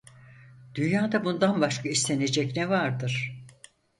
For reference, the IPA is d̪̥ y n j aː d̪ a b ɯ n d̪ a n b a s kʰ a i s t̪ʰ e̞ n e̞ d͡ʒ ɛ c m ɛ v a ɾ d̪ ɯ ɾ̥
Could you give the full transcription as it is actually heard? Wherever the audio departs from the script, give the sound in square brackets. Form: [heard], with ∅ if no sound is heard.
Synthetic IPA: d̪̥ y n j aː d̪ a b [u] n d̪ a n b a [ʃ] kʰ a i s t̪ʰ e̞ n e̞ d͡ʒ ɛ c [n] ɛ v a ɾ d̪ ɯ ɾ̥